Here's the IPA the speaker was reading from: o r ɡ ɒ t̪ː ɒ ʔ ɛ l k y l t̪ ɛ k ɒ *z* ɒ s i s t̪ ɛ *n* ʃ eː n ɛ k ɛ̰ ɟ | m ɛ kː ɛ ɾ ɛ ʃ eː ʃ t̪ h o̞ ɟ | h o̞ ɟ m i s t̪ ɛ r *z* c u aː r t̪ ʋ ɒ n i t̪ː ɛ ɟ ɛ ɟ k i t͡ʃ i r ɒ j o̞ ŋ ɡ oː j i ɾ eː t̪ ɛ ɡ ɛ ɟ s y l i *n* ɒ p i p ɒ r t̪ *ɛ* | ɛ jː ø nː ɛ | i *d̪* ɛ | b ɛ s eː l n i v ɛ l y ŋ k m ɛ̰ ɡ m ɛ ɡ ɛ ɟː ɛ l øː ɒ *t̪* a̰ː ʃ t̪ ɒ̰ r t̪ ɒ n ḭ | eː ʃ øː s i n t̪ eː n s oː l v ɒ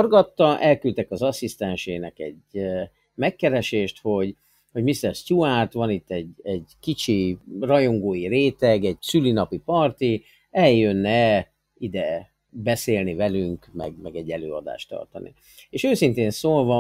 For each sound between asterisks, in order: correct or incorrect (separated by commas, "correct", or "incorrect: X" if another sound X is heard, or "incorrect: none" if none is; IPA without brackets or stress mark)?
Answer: correct, correct, incorrect: s, correct, incorrect: i, correct, incorrect: d̪